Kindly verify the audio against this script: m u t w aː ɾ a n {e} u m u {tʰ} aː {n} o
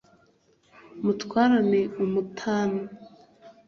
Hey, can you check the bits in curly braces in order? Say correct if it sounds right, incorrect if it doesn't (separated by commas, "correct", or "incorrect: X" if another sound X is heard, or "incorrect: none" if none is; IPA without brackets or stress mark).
correct, correct, correct